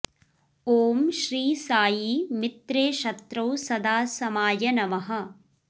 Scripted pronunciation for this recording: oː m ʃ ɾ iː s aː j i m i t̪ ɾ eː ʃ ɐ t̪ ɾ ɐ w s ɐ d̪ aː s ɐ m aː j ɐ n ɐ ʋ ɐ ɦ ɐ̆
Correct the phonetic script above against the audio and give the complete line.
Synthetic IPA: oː m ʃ ɾ iː s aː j i m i t̪ ɾ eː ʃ ɐ t̪ ɾ ɐ w s ɐ d̪ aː s ɐ m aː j ɐ n ɐ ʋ ɐ ɦ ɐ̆